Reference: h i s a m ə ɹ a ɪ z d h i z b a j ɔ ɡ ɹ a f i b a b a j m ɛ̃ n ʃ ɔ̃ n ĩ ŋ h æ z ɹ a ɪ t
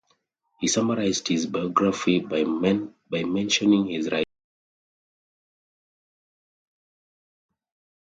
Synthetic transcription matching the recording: h i s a m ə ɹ a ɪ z d h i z b a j ɔ ɡ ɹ a f i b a b a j m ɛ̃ n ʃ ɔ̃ n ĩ ŋ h i z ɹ a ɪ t